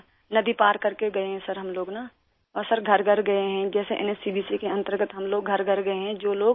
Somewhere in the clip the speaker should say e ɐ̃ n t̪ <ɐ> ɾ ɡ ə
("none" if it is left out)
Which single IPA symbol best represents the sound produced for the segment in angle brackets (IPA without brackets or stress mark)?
ə